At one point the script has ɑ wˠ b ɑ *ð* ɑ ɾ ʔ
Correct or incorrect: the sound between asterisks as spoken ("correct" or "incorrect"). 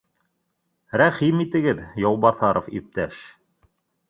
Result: incorrect